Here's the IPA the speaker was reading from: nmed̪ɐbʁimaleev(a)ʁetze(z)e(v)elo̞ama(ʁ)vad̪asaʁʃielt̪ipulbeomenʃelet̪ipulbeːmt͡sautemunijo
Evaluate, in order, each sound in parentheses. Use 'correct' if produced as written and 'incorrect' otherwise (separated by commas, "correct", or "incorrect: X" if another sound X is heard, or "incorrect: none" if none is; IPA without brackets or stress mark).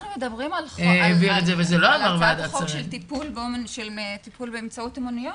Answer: incorrect: i, incorrect: v, incorrect: z, correct